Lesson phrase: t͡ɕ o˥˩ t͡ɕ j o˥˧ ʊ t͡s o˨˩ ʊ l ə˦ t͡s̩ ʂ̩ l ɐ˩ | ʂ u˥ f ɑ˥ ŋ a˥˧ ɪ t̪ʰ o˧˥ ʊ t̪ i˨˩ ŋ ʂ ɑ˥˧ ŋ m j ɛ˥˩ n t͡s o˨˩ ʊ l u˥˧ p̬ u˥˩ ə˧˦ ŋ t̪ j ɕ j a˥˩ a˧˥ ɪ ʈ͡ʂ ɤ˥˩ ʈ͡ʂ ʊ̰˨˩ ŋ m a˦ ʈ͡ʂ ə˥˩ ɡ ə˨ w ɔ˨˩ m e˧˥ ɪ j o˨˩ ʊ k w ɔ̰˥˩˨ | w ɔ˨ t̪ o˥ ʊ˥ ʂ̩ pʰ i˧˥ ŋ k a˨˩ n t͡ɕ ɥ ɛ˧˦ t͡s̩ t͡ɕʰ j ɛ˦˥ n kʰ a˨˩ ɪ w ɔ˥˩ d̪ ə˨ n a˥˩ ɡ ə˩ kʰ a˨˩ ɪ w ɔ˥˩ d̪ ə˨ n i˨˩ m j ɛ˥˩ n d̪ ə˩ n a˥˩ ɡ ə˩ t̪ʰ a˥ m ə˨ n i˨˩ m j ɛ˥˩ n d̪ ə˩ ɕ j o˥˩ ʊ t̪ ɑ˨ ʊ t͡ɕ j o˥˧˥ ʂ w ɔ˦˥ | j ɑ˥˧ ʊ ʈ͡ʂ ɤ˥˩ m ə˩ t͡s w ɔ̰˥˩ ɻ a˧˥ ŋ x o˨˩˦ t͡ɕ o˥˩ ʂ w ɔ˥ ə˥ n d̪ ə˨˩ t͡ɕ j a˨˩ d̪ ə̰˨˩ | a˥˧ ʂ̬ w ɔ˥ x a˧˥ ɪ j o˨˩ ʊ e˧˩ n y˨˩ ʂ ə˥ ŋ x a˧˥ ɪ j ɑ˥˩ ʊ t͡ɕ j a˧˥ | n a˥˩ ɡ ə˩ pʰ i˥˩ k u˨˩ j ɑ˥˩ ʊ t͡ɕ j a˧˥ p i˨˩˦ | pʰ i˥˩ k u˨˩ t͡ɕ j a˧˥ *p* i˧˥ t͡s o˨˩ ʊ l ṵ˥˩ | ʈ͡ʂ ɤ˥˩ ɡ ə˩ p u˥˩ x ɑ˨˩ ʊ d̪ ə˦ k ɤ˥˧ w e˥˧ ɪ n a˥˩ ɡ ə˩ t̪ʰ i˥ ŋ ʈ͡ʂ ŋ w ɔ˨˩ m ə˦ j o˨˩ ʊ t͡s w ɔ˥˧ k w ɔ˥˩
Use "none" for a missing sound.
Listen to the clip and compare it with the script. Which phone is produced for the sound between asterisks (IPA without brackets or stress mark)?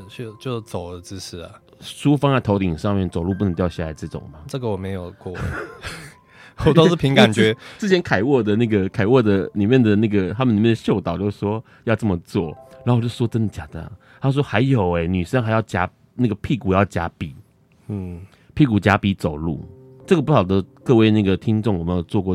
p